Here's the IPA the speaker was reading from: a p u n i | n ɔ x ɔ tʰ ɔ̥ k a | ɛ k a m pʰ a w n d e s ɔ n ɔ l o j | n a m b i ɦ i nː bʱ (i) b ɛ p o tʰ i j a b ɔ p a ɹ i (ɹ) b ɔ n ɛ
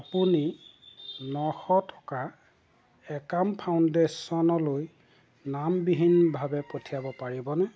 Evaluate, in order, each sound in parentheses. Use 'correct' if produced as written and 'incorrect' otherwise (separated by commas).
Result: incorrect, incorrect